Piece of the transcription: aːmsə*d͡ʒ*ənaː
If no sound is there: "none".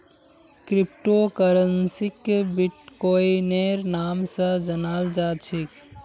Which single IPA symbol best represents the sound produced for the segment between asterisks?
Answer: d͡ʒ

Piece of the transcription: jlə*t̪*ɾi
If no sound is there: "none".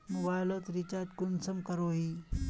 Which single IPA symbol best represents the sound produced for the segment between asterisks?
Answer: t̪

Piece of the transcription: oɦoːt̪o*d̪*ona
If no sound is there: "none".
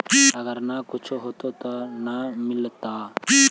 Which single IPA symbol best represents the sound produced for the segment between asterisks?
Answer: t̪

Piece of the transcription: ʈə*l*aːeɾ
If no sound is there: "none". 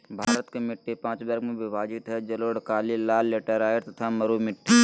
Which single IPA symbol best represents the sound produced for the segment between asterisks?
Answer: ɾ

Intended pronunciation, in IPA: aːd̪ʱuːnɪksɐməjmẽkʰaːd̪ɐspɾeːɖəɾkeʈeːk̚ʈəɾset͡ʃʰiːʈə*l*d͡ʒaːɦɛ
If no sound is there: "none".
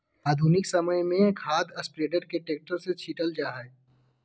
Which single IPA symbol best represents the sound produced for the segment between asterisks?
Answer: l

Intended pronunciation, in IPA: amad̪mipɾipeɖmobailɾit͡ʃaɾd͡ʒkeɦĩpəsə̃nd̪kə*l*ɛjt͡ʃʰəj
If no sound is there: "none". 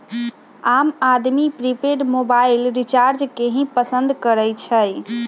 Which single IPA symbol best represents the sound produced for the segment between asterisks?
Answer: ɾ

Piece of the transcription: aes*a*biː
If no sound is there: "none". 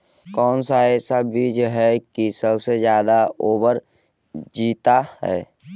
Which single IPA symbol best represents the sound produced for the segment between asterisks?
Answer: a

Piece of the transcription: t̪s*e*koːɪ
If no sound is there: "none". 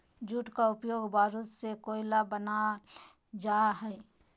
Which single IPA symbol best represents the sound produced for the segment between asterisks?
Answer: e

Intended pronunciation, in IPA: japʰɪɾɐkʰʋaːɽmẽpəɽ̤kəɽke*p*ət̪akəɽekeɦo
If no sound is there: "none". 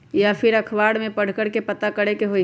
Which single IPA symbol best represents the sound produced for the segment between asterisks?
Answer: p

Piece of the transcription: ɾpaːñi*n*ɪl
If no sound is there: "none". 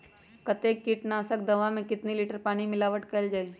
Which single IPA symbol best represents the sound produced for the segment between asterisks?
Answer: m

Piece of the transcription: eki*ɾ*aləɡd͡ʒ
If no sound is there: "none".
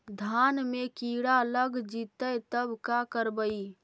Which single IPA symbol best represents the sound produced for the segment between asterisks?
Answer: ɽ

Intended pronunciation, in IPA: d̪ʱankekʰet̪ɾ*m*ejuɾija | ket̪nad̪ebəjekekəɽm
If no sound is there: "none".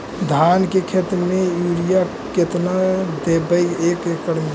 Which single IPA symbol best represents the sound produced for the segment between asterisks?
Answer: m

